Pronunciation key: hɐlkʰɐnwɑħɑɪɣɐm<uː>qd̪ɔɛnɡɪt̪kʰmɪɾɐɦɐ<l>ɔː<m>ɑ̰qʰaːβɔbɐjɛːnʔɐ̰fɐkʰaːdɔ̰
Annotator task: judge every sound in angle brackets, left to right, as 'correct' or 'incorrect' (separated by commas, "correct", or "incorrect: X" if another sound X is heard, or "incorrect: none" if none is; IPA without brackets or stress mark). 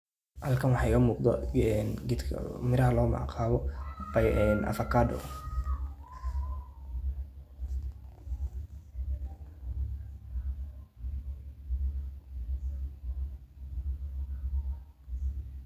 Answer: correct, correct, correct